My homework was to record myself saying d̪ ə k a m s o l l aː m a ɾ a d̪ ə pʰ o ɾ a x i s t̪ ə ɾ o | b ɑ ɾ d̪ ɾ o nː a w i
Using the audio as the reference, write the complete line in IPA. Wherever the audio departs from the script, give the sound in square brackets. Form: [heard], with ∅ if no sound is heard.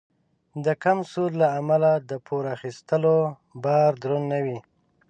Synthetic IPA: d̪ ə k a m s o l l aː m a [l] a d̪ ə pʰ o ɾ a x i s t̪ ə [l] o | b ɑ ɾ d̪ ɾ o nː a w i